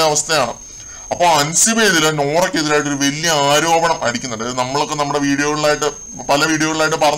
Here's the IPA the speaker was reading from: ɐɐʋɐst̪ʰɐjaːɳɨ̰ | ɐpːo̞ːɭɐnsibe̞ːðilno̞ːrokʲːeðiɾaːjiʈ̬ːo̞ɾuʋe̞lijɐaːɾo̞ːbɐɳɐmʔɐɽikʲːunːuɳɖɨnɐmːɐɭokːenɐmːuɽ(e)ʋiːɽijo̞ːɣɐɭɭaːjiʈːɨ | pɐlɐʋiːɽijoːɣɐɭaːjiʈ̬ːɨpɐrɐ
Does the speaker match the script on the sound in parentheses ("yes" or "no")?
yes